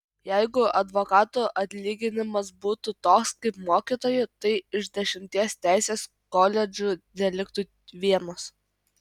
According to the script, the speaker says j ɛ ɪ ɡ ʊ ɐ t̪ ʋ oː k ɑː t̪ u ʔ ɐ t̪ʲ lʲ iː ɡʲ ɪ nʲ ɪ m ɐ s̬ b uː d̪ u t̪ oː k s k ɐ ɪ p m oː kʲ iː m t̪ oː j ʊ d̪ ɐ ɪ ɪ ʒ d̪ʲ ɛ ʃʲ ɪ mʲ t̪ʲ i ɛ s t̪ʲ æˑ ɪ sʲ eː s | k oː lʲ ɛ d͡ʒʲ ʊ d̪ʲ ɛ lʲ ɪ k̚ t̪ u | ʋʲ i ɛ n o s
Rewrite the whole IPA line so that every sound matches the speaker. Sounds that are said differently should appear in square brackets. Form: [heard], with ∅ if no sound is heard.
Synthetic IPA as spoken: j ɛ ɪ ɡ ʊ ɐ [d̪] ʋ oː k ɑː t̪ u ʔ ɐ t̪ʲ lʲ iː ɡʲ ɪ nʲ ɪ m ɐ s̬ b uː [t̪] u t̪ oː k s k ɐ ɪ p m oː kʲ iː [∅] t̪ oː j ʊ [t̪] ɐ ɪ ɪ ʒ d̪ʲ ɛ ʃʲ ɪ mʲ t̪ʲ i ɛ s t̪ʲ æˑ ɪ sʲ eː s | k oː lʲ ɛ d͡ʒʲ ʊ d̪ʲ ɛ lʲ ɪ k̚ t̪ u | ʋʲ i ɛ n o s